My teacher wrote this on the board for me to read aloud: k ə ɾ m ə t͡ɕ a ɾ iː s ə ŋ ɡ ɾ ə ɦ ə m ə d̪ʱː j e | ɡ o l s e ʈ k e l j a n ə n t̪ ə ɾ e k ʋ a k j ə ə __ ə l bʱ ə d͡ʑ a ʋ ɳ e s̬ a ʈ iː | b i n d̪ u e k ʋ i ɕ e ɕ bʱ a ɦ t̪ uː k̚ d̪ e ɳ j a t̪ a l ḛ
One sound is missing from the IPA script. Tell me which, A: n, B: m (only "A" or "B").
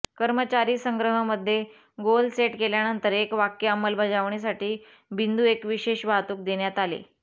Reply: B